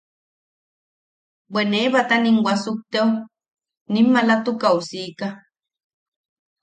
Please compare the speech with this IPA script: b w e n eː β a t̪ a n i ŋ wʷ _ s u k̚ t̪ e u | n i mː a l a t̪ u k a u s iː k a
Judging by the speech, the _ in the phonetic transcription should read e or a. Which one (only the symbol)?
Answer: a